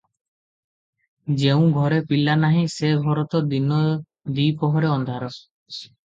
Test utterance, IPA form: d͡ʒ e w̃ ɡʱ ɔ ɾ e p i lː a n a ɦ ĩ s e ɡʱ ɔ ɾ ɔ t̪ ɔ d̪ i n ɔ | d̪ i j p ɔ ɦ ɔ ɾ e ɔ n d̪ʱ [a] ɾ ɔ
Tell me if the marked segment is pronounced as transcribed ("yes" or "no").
yes